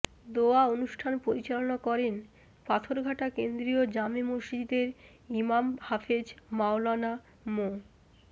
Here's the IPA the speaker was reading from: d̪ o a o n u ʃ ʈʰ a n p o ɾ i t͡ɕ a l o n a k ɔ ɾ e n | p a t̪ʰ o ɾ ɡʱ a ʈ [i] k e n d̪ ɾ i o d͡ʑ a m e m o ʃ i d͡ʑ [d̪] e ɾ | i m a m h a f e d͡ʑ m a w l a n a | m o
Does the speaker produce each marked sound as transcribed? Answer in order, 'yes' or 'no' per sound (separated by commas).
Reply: no, yes